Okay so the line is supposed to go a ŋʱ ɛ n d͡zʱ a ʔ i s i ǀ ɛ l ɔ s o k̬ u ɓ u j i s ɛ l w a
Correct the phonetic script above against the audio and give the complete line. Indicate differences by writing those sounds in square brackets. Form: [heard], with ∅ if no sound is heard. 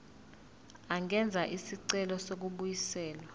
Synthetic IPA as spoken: a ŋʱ ɛ n d͡zʱ a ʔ i s i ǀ ɛ l ɔ s o k̬ u ɓ u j i s [ɛː] l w a